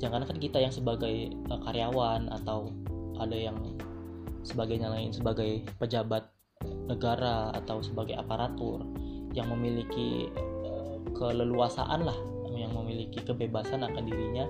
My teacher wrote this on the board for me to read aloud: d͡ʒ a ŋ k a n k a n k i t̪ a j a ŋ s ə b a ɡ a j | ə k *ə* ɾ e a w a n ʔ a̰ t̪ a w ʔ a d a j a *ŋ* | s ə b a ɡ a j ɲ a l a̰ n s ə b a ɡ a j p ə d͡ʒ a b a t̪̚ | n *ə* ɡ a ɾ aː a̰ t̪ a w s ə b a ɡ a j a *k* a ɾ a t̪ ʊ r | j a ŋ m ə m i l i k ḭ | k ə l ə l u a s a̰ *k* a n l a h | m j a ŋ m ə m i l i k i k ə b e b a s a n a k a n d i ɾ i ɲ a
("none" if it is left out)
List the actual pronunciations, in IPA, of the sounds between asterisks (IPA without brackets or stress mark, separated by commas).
a, ŋ, ə, p, ʔ